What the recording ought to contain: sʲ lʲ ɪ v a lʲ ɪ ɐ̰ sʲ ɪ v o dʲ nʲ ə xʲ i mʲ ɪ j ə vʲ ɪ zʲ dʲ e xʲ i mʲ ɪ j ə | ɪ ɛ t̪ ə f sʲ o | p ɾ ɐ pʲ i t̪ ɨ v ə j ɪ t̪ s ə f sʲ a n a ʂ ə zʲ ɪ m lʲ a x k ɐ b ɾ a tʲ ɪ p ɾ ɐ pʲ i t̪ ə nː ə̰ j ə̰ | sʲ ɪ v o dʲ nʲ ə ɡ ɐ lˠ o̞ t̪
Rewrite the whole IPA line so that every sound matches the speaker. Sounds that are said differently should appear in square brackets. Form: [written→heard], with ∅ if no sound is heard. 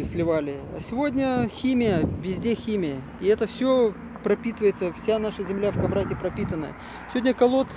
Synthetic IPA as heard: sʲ lʲ ɪ v a lʲ ɪ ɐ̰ sʲ ɪ v o dʲ nʲ ə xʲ i mʲ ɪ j ə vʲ ɪ zʲ dʲ e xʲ i mʲ ɪ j ə | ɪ ɛ t̪ ə f sʲ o | p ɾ ɐ pʲ i t̪ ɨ v ə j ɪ t̪ s ə f sʲ a n a ʂ ə zʲ ɪ m lʲ a [x→f] k ɐ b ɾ a tʲ ɪ p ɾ ɐ pʲ i t̪ ə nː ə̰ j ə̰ | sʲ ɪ v o dʲ nʲ ə [ɡ→k] ɐ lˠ o̞ t̪